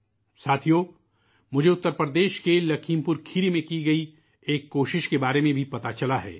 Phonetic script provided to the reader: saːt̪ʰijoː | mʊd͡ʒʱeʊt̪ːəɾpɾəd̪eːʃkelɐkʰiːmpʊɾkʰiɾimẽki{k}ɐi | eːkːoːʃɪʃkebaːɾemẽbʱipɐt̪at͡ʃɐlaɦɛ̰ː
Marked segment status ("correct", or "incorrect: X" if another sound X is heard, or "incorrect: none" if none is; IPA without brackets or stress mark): incorrect: ɡ